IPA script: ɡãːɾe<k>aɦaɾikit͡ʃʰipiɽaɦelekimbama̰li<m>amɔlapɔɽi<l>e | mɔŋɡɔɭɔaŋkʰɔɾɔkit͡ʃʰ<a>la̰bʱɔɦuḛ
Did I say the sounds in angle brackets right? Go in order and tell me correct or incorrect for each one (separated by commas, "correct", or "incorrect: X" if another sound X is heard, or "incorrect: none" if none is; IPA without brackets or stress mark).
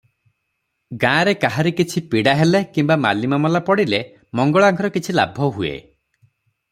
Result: correct, correct, correct, incorrect: i